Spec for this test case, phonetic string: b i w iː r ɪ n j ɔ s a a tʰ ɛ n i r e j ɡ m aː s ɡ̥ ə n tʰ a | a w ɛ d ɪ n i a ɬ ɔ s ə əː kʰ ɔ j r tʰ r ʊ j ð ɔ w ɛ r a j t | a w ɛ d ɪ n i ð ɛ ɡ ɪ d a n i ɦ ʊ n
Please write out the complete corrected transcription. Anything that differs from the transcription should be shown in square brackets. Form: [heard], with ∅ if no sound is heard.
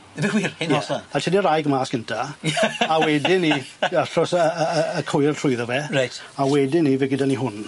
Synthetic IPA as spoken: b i w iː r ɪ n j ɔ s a a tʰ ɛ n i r [a] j ɡ m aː s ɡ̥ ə n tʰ a | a w ɛ d ɪ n i a ɬ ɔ s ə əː kʰ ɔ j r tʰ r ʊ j ð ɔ [v] ɛ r a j t | a w ɛ d ɪ n i [v] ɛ ɡ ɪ d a n i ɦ ʊ n